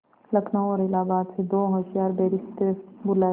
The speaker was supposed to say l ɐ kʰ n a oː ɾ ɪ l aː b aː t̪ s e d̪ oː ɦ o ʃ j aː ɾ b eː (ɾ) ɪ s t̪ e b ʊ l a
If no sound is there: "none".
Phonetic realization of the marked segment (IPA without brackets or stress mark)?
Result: ɾ